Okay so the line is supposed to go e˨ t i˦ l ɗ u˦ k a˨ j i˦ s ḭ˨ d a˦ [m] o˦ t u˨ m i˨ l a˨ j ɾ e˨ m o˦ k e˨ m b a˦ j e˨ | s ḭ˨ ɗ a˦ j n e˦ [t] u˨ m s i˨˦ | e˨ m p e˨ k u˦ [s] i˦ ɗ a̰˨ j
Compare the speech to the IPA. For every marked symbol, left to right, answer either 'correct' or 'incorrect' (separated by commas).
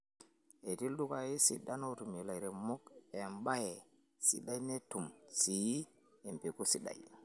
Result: incorrect, correct, correct